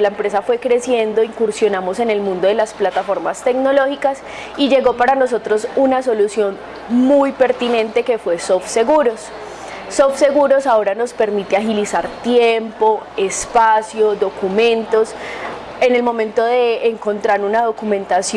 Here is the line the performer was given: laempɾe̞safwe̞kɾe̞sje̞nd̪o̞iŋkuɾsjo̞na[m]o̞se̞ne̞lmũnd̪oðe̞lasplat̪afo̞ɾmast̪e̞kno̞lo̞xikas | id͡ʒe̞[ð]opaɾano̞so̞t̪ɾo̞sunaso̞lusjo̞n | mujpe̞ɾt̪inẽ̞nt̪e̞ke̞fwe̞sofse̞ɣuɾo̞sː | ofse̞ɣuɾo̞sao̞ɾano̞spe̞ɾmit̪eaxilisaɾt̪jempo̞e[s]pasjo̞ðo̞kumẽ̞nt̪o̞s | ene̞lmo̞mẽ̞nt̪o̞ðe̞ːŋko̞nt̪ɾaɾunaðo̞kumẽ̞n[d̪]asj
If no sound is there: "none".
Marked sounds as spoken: m, ɣ, s, t̪

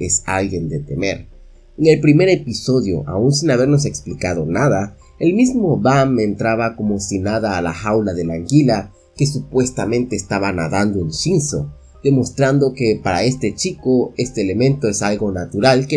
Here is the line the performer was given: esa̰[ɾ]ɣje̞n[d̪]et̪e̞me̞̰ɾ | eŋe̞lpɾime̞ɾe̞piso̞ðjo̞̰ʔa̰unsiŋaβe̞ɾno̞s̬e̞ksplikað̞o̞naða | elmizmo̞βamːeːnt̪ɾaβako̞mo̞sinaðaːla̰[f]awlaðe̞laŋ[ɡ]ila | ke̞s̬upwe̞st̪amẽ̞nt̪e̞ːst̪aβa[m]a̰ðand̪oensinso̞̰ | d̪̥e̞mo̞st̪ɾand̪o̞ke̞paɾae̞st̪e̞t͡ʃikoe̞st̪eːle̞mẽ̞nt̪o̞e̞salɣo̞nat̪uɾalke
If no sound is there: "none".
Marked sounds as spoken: l, d̪, x, ɡ, n

